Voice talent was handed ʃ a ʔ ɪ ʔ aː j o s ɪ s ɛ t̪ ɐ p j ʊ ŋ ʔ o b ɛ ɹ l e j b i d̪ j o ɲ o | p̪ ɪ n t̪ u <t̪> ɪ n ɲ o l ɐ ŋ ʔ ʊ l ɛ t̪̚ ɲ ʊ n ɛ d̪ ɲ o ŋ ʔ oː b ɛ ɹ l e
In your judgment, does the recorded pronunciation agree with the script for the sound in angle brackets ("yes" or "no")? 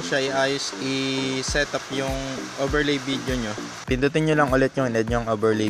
yes